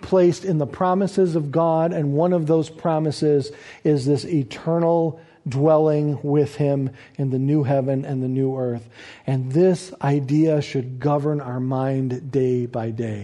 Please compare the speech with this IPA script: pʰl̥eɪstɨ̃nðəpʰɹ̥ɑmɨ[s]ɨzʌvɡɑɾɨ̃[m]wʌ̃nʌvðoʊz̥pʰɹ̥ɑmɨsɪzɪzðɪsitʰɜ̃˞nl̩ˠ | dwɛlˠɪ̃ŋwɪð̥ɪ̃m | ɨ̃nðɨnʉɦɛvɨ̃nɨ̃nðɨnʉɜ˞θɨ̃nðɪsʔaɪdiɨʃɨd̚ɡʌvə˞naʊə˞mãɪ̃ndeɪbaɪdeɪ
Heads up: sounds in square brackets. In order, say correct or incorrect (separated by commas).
correct, incorrect